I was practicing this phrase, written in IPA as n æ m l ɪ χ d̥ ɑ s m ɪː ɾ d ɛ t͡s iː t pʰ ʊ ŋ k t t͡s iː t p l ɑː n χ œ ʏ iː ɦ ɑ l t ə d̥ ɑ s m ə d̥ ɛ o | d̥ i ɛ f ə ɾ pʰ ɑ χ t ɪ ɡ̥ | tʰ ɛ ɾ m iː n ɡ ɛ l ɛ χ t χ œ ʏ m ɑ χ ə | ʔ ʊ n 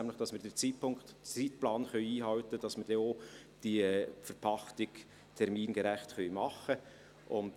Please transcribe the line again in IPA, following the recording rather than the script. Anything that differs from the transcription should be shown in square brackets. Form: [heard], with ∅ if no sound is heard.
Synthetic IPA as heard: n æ m l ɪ χ d̥ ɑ s m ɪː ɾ d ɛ t͡s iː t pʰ ʊ ŋ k t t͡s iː t p l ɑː n χ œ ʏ iː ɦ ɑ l t ə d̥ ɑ s m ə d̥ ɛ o | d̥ i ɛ f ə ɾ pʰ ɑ χ t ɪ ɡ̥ | tʰ ɛ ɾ m iː n ɡ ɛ [ɾ] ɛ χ t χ œ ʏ m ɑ χ ə | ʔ ʊ n